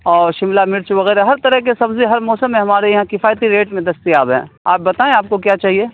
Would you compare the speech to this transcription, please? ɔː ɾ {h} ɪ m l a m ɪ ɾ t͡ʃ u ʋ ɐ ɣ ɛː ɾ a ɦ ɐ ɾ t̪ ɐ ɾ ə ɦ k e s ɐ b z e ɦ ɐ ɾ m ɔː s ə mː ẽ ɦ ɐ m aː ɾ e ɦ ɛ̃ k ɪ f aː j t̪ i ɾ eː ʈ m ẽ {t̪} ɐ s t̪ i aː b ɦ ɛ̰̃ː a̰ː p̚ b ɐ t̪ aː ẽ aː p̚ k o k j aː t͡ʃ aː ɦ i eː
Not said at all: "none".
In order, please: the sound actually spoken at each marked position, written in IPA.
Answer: ʃ, d̪

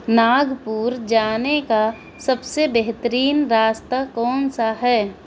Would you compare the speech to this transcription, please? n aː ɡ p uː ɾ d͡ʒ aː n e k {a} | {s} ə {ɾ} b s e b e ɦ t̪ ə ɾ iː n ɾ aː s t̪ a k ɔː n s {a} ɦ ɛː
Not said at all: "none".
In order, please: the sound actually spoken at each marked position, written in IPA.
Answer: a, s, none, a

